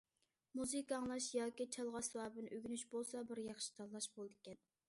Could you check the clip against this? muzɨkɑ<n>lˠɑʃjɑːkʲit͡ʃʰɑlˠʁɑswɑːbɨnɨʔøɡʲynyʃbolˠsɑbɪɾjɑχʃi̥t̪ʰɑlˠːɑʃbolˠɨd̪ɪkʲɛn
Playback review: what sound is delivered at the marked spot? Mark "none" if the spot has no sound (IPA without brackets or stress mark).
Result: ŋ